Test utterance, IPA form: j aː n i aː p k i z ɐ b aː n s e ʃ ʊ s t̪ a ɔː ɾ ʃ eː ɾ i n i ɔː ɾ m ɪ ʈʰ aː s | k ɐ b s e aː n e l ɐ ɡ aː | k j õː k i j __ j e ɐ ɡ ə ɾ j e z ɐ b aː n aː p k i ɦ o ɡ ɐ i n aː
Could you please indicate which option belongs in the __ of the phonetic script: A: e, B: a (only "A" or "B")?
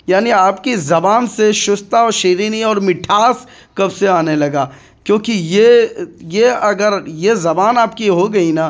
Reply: A